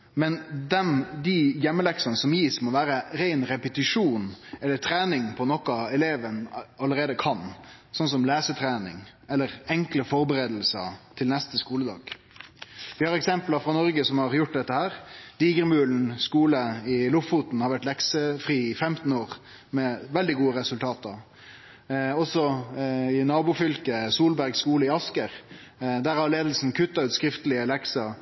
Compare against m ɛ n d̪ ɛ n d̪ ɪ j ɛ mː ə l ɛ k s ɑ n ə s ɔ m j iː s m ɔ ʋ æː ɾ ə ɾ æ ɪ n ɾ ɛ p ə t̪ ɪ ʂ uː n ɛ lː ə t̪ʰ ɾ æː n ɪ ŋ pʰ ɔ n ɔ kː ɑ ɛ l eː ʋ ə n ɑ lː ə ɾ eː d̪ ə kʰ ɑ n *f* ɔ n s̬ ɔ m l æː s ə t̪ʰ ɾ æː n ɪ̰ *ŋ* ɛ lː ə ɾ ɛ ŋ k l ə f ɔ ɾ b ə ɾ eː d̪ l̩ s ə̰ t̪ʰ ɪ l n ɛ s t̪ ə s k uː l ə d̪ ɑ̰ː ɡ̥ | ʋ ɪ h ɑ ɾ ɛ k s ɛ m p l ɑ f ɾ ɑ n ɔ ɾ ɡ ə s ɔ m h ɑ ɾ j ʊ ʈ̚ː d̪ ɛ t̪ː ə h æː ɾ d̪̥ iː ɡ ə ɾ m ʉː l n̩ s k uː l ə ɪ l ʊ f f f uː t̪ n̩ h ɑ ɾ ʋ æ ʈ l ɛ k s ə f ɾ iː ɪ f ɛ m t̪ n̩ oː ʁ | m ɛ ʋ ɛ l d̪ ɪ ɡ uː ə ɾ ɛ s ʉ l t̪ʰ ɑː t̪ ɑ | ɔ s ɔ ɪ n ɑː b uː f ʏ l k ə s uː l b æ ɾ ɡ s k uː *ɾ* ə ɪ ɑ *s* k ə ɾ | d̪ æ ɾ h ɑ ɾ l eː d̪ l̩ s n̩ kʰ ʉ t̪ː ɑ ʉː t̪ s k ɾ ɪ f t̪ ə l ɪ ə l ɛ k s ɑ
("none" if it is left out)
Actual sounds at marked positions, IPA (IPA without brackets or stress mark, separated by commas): s, ŋ, l, s